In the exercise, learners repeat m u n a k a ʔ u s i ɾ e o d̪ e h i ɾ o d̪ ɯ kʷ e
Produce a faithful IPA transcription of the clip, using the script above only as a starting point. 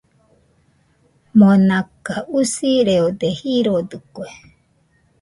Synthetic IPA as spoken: m o n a k a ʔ u s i ɾ e o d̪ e h i ɾ o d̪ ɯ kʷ e